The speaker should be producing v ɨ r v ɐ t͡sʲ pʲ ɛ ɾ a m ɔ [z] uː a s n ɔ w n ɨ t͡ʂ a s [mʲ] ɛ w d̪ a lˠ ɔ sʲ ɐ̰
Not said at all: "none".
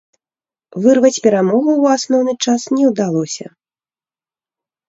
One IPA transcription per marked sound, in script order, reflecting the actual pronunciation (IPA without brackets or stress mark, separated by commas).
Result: ɣ, nʲ